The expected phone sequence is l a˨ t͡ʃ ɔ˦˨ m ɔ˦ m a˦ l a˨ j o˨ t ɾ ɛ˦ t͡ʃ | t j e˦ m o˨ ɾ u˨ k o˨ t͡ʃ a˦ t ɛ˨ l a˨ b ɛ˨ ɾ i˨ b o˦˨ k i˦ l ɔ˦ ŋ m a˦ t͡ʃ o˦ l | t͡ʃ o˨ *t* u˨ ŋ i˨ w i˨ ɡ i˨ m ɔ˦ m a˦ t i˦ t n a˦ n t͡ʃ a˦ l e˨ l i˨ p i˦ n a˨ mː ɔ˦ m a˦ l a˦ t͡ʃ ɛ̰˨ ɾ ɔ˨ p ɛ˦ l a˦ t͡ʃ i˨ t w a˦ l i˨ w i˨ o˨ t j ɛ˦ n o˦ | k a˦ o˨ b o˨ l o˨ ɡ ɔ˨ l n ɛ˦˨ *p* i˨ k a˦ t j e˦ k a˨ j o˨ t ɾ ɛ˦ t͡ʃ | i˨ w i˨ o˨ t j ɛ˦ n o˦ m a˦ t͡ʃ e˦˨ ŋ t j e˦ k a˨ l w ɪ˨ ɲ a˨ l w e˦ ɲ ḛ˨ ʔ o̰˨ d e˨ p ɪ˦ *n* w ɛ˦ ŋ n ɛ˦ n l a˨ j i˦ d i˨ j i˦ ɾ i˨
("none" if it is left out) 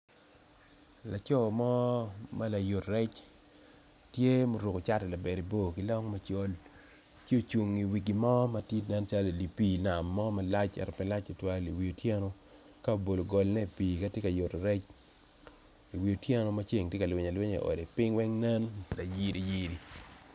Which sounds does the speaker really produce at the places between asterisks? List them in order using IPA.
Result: t͡ʃ, p, ŋ

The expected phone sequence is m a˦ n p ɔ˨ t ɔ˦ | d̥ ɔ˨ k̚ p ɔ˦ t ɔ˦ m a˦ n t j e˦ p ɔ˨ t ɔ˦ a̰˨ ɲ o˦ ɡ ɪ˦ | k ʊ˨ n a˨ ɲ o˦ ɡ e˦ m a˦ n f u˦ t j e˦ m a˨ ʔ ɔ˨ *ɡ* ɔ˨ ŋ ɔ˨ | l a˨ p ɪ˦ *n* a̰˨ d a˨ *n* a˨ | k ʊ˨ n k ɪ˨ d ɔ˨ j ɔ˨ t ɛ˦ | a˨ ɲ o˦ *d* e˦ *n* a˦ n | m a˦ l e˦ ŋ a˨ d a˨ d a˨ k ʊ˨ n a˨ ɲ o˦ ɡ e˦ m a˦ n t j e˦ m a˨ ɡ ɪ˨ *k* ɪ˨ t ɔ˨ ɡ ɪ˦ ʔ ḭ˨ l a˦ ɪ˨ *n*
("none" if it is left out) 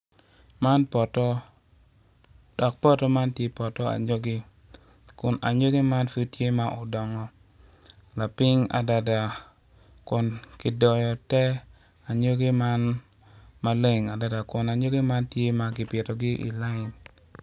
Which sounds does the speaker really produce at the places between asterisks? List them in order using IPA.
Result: d, ŋ, d, ɡ, m, p, n

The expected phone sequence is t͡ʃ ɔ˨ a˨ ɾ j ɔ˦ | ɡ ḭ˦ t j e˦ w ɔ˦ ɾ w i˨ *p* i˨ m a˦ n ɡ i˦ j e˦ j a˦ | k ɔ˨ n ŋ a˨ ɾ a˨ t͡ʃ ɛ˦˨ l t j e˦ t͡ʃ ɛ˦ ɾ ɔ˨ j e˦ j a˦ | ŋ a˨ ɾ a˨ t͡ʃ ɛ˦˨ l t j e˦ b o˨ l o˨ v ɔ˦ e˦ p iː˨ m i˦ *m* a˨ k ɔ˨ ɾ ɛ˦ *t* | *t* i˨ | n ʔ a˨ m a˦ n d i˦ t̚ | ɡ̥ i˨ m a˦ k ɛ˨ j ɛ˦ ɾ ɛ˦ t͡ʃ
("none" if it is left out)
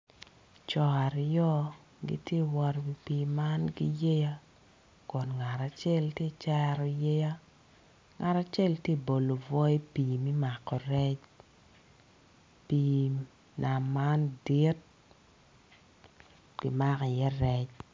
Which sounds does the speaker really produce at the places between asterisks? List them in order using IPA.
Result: p, m, t͡ʃ, p

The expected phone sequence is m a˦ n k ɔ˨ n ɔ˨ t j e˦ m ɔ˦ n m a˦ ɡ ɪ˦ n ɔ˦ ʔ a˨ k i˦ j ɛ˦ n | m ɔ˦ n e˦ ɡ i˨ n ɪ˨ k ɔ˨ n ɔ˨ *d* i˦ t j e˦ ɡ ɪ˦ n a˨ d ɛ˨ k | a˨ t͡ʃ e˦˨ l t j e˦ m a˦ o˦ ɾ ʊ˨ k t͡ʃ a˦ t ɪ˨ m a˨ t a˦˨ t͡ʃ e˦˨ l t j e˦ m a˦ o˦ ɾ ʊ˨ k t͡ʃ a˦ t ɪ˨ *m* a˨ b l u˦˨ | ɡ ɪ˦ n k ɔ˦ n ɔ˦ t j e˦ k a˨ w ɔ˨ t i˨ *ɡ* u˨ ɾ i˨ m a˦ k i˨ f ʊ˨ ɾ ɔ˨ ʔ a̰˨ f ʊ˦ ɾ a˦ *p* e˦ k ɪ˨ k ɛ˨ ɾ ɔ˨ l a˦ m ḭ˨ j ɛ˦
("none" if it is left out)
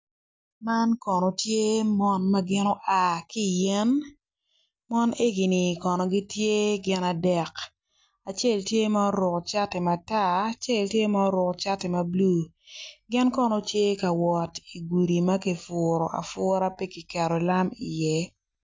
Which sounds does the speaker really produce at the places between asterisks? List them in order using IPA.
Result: ɡ, m, ɡ, p

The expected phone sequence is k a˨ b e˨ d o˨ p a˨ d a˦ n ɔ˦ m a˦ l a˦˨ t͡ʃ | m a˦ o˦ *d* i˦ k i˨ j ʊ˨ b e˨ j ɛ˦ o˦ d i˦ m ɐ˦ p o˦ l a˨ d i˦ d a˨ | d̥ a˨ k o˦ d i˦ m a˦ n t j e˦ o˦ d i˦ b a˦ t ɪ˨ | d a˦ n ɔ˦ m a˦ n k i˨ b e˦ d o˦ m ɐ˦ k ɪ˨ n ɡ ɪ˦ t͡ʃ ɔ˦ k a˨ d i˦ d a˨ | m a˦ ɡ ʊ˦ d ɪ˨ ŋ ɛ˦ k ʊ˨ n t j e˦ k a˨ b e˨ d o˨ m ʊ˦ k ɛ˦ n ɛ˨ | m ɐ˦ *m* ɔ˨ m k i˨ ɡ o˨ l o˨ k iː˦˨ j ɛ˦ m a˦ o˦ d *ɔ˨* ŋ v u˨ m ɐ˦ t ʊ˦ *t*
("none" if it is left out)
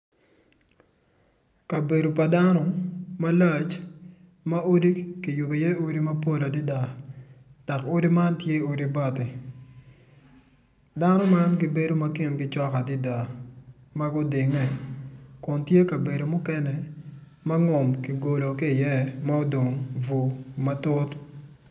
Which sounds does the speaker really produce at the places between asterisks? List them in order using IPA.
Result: d, ŋ, o˨, t

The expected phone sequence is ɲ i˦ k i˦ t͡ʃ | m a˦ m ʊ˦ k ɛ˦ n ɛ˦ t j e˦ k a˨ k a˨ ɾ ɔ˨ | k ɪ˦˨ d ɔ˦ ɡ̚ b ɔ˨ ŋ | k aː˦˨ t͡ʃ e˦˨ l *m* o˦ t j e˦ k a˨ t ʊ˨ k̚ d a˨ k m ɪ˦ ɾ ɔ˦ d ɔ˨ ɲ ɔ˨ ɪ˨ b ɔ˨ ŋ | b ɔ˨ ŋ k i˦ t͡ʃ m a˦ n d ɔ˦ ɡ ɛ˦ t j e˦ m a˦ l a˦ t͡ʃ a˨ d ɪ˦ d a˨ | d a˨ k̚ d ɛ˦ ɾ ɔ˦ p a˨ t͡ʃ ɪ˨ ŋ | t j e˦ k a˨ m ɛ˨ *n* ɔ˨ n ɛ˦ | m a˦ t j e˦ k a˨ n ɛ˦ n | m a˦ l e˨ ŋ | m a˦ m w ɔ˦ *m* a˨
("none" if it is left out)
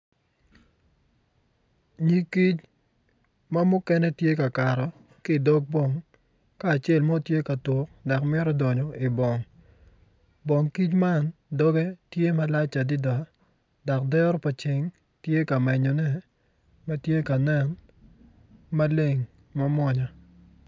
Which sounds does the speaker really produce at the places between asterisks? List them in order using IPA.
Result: m, ɲ, ɲ

